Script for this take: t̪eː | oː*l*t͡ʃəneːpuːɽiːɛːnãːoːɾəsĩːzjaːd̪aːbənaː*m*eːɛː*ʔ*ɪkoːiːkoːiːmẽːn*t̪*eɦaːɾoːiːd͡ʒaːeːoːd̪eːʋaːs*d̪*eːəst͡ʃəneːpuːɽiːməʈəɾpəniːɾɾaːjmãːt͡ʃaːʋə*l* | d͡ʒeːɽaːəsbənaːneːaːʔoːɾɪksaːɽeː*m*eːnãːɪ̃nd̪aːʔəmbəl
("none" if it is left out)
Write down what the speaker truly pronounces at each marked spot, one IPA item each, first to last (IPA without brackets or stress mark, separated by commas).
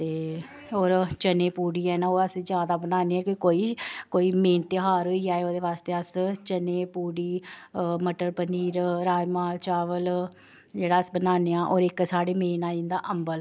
ɾ, n, k, t̪, t̪, l, m